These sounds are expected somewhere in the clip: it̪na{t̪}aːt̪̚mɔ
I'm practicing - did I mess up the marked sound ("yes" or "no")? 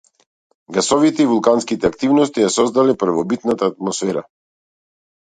no